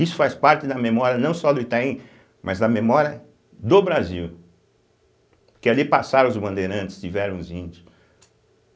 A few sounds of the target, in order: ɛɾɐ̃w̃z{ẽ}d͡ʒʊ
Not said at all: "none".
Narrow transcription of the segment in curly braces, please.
ĩ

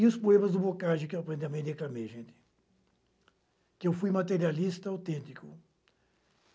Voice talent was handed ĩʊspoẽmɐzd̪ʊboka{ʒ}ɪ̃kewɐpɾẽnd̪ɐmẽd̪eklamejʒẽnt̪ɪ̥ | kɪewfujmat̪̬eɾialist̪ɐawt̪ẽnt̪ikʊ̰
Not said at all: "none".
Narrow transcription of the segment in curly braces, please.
ʒ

